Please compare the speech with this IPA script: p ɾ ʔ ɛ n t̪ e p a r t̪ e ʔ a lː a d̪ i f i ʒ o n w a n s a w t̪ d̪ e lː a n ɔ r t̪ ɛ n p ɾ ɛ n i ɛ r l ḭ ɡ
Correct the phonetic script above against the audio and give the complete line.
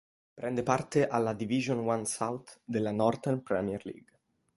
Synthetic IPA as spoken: p ɾ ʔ ɛ n d̪ e p a r t̪ e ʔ a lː a d̪ i v i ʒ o n w a n s a w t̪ d̪ e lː a n ɔ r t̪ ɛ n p ɾ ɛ m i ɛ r l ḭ ɡ